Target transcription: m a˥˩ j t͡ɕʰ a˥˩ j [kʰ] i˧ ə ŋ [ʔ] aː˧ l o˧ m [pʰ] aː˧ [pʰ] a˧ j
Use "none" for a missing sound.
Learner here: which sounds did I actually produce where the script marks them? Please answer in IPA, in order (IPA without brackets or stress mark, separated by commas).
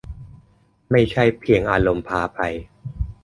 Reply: pʰ, ʔ, pʰ, pʰ